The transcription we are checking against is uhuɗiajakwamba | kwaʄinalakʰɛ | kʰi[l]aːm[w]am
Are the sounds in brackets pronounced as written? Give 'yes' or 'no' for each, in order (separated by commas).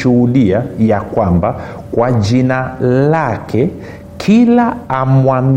yes, yes